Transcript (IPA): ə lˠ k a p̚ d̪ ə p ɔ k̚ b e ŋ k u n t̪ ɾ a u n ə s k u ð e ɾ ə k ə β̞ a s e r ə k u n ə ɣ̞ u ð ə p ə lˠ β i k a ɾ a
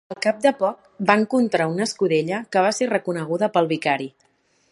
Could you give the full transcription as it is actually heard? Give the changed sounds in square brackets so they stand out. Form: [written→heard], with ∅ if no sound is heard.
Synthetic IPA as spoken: ə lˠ k a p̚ d̪ ə p ɔ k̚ b [e→a] ŋ k u n t̪ ɾ a u n ə s k u ð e [ɾ→ʎ] ə k ə β̞ a s e r ə k u n ə ɣ̞ u ð ə p ə lˠ β i k a ɾ [a→i]